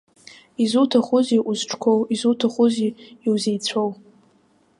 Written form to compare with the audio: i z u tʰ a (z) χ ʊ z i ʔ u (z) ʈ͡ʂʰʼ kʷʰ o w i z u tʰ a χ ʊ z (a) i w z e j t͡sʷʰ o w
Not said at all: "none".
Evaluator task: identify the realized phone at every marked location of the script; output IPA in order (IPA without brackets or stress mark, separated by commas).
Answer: none, z, i